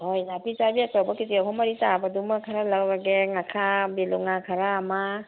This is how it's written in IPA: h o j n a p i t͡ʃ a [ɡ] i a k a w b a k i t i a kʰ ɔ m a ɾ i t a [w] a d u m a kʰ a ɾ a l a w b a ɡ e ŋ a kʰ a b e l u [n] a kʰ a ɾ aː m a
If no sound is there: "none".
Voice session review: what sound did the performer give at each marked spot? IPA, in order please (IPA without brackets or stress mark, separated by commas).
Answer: b, b, ŋ